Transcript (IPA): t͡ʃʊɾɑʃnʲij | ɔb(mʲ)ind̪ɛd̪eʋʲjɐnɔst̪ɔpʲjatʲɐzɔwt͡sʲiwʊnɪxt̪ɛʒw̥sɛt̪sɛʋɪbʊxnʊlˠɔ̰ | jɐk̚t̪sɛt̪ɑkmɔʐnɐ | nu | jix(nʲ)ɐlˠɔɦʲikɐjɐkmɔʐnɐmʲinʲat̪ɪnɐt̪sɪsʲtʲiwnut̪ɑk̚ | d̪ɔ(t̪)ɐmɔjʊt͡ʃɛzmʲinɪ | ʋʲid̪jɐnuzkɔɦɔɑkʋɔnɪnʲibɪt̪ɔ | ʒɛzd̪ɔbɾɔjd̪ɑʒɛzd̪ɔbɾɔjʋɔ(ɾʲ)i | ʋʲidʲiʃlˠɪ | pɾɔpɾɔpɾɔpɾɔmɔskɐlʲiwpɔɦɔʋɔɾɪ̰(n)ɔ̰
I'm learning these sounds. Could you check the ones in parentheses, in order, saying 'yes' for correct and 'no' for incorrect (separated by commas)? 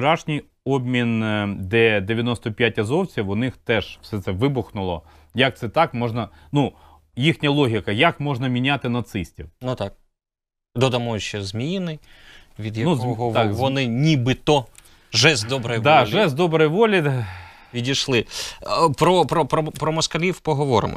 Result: yes, yes, no, no, no